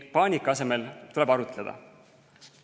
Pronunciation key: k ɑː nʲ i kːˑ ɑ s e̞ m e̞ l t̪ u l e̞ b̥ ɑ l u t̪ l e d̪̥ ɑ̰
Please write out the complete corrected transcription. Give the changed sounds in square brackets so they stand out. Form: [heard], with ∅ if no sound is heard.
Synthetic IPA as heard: [p] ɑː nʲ i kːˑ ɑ s e̞ m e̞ l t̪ u l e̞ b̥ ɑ [ɾ] u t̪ l e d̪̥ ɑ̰